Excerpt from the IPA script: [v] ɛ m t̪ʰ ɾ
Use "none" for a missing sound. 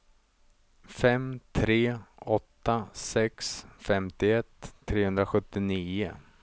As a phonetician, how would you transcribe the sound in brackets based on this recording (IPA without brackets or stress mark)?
f